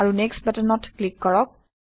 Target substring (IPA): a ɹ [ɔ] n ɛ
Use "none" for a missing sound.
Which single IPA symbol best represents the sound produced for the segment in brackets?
u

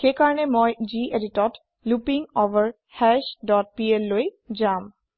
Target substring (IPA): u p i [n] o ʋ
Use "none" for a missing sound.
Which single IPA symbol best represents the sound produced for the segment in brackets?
ŋ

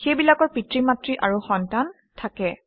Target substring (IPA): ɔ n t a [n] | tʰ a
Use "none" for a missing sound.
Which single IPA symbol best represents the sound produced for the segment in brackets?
n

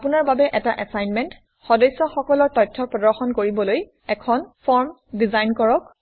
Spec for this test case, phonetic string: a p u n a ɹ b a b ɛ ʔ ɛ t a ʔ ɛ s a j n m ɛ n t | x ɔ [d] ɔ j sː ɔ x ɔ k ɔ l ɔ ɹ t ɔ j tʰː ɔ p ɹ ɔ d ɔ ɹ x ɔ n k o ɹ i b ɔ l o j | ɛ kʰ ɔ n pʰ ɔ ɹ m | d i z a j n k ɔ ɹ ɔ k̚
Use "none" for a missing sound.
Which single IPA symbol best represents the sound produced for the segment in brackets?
d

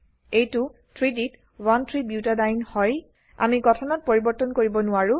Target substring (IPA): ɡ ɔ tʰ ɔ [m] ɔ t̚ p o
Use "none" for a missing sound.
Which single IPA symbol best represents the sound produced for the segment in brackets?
n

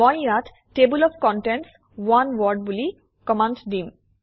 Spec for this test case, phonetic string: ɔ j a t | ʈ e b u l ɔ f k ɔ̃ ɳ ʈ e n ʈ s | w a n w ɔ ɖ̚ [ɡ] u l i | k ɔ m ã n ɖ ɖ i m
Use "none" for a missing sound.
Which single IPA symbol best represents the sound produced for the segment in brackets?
b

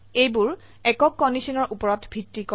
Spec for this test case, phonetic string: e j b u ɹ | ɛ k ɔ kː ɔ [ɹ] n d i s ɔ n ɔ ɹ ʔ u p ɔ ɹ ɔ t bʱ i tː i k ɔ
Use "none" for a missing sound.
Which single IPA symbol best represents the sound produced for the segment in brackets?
none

